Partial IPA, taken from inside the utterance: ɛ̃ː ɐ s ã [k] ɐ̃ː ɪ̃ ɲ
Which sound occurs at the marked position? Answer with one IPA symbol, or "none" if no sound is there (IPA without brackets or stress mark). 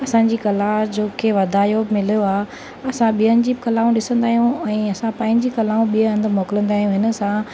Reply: p